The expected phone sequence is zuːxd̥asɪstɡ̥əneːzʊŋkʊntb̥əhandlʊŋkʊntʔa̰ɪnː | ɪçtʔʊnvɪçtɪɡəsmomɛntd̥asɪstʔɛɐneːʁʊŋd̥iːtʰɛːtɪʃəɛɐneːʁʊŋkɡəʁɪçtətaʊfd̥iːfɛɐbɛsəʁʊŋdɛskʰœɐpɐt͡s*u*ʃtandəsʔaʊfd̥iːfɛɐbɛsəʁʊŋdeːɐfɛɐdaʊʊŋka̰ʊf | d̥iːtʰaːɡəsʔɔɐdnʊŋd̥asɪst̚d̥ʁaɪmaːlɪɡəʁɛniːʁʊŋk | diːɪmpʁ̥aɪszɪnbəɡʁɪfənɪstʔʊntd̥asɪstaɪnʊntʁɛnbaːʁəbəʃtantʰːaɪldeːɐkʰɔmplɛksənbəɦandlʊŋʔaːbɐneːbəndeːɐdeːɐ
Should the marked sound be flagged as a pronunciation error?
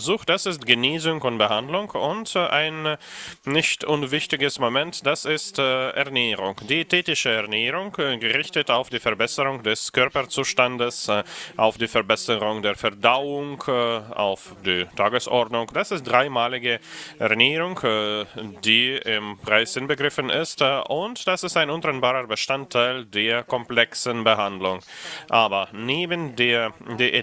yes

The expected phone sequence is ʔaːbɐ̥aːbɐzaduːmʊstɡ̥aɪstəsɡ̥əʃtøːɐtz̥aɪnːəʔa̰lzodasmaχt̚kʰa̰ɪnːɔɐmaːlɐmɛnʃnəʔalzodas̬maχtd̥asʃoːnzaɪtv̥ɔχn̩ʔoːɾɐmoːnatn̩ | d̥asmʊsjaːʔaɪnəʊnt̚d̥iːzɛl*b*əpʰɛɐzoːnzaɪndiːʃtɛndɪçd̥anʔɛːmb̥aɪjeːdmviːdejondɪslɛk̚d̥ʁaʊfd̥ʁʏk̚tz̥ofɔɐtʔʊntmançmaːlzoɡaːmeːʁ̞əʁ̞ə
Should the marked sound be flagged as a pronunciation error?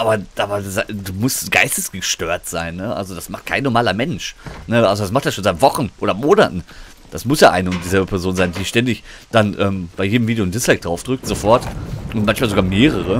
no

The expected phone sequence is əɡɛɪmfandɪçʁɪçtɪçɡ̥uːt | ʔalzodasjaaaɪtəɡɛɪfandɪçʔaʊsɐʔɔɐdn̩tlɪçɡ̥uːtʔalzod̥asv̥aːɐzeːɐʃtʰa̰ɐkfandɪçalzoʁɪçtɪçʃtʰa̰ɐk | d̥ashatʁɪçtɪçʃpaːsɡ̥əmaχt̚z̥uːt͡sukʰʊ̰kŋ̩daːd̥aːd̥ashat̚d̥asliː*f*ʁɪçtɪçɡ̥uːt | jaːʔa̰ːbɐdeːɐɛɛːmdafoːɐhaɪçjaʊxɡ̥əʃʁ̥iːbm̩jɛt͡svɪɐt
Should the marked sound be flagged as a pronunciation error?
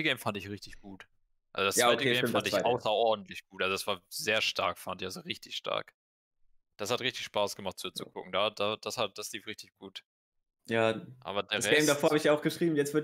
no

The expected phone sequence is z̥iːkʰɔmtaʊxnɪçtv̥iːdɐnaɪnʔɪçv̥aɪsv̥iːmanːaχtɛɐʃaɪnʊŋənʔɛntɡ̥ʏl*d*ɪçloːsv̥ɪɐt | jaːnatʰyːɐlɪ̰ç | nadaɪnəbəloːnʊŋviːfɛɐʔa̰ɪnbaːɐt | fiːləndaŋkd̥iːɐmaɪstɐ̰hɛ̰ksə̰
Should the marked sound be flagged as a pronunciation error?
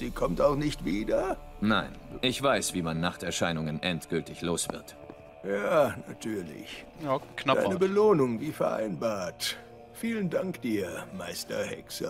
yes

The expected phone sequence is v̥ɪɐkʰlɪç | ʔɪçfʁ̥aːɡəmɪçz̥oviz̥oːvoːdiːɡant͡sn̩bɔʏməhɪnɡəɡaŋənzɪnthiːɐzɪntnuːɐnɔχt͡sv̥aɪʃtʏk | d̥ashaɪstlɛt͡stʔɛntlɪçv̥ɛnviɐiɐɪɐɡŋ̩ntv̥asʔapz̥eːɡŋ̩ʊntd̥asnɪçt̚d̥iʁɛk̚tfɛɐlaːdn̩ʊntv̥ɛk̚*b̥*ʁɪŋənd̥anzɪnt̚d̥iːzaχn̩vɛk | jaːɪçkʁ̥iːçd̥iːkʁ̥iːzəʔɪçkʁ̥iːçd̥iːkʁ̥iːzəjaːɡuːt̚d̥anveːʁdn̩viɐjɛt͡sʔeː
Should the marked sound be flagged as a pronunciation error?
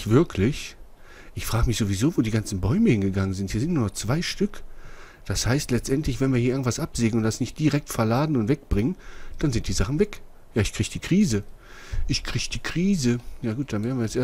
no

